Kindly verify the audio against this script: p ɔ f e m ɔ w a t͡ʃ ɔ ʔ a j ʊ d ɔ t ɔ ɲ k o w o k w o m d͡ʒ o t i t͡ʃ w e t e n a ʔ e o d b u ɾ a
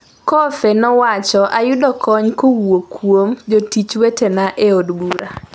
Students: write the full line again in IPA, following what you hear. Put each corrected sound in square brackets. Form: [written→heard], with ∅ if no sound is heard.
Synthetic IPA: [p→k] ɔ f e [m→n] ɔ w a t͡ʃ ɔ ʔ a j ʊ d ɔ [t→k] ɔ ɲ k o w o k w o m d͡ʒ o t i t͡ʃ w e t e n a ʔ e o d b u ɾ a